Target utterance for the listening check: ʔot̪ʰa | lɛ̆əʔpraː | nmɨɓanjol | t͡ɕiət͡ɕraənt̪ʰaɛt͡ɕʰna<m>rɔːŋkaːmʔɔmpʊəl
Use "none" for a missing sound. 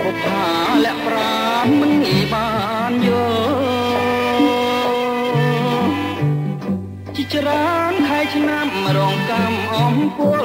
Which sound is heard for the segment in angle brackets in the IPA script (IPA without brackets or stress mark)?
m